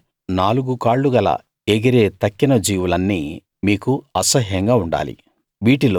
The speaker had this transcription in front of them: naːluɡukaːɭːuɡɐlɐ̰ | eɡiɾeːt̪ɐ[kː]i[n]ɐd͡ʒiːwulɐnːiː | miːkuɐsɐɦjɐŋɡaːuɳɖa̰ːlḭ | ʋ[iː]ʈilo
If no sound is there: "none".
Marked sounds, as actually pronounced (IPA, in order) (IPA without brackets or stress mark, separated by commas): kː, n, iː